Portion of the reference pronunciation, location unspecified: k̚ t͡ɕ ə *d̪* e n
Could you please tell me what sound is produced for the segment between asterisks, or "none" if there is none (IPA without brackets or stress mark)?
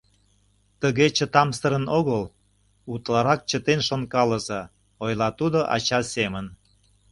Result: t̪